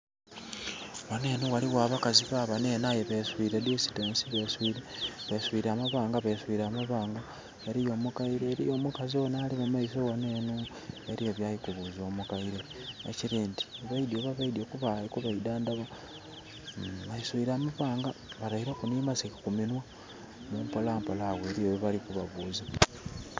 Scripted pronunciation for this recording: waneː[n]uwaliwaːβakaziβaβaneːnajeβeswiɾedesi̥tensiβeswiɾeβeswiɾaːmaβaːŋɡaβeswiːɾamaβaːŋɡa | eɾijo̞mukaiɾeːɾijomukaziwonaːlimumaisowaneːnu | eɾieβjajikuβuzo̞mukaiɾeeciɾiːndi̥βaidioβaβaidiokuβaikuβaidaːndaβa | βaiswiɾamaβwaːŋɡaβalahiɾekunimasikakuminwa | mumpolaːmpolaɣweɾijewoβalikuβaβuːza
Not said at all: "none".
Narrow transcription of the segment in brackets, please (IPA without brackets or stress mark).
n